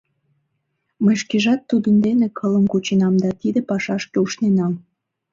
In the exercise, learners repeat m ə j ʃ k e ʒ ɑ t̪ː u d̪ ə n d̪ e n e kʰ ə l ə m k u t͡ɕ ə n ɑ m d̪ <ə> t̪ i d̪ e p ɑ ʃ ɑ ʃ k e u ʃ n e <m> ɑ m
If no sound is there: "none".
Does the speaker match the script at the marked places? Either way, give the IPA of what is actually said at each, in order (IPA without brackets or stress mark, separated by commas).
ɑ, n